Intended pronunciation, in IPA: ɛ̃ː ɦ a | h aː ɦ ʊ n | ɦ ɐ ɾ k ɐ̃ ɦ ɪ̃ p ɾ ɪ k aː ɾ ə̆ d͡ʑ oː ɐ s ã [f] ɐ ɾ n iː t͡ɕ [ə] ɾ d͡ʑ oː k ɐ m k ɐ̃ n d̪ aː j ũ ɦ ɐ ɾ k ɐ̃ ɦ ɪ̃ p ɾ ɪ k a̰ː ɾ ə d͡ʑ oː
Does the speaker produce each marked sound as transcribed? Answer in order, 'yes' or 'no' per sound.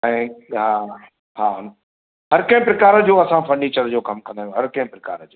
yes, yes

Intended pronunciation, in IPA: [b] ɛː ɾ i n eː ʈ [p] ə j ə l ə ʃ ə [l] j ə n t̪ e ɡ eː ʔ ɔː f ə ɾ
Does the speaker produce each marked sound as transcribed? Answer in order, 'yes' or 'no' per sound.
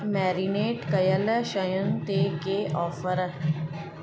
no, no, no

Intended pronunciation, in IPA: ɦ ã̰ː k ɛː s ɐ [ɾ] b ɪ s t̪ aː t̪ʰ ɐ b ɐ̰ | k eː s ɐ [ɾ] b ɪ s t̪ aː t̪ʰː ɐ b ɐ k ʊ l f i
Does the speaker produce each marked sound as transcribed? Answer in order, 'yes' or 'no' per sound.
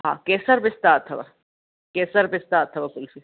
yes, yes

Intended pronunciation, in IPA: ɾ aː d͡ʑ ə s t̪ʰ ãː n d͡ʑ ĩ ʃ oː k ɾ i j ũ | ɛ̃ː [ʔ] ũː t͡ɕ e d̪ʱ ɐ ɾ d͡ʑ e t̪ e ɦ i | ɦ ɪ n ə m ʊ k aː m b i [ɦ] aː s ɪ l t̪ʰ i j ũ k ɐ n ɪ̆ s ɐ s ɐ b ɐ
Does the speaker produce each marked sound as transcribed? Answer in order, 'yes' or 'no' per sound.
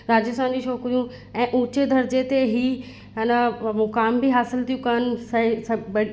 yes, yes

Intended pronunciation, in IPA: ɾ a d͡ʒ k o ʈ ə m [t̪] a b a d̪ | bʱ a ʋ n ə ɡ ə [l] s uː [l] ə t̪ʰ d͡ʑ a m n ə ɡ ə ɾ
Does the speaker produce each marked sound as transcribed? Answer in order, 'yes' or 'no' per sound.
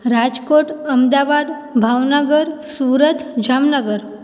no, no, no

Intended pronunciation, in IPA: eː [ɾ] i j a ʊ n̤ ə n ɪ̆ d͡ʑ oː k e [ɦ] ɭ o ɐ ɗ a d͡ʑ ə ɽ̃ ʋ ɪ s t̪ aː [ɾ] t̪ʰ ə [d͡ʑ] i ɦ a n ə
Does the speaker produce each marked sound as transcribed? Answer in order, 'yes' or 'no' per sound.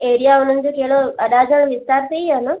yes, yes, yes, no

